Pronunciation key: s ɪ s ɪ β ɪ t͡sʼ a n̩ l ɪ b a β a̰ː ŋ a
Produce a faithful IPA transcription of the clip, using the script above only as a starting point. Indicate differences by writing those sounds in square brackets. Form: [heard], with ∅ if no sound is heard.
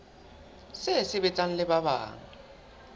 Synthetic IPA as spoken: s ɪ s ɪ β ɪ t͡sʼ a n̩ l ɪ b a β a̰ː ŋ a